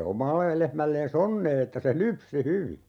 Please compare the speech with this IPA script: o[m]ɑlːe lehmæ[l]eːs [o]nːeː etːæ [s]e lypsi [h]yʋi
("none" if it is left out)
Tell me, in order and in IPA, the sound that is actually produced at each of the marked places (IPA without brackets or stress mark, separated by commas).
m, lː, o, s, h